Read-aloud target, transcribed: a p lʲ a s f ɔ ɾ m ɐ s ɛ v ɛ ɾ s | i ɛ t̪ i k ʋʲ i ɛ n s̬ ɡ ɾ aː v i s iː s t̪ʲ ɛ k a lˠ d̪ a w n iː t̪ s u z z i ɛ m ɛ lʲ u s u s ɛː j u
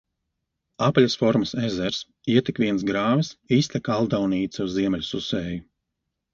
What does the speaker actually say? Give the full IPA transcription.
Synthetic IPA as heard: a p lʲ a s f ɔ ɾ m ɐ s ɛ z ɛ ɾ s | i ɛ t̪ i k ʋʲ i ɛ n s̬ ɡ ɾ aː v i s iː s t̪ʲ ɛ k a lˠ d̪ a w n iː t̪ s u z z i ɛ m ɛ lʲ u s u s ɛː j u